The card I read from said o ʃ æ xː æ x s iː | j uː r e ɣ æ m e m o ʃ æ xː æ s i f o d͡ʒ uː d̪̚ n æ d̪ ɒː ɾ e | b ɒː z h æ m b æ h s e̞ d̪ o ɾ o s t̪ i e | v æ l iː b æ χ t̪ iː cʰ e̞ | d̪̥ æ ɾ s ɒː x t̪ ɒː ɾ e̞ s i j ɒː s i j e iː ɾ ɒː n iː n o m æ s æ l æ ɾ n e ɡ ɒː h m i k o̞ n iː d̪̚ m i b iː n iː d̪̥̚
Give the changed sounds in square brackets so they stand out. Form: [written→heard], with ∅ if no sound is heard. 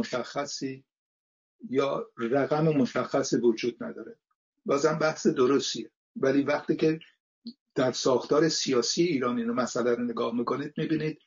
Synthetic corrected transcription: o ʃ æ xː æ [x→∅] s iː | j [uː→ɒː] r [e→æ] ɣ æ m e m o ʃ æ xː æ s i [f→v] o d͡ʒ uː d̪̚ n æ d̪ ɒː ɾ e | b ɒː z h æ m b æ h s e̞ d̪ o ɾ o s t̪ i e | v æ l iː [b→v] æ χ t̪ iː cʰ e̞ | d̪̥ æ ɾ s ɒː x t̪ ɒː ɾ e̞ s i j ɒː s i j e iː ɾ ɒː n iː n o m æ s æ l æ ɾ n e ɡ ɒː h m i k o̞ n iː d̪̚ m i b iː n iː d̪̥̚